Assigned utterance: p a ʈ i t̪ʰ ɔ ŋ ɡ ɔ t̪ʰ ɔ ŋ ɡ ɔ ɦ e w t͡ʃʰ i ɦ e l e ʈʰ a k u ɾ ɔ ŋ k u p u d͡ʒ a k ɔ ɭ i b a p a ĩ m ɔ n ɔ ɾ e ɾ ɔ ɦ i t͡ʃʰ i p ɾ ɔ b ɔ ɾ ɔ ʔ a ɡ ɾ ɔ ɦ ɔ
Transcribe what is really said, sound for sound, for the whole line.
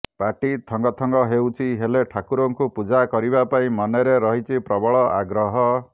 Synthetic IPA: p a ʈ i t̪ʰ ɔ ŋ ɡ ɔ t̪ʰ ɔ ŋ ɡ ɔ ɦ e w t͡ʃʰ i ɦ e l e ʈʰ a k u ɾ ɔ ŋ k u p u d͡ʒ a k ɔ ɾ i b a p a ĩ m ɔ n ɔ ɾ e ɾ ɔ ɦ i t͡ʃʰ i p ɾ ɔ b ɔ ɭ ɔ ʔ a ɡ ɾ ɔ ɦ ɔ